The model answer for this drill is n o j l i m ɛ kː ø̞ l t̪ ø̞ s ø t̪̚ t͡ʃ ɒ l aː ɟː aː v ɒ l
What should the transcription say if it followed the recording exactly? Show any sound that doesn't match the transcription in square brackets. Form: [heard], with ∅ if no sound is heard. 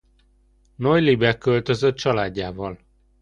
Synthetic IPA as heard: n o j l i [b] ɛ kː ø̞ l t̪ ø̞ [z] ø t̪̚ t͡ʃ ɒ l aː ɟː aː v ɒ l